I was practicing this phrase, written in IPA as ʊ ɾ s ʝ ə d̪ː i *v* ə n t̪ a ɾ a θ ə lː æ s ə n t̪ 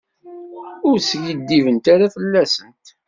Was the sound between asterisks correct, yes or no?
yes